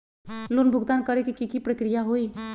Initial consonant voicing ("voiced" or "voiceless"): voiced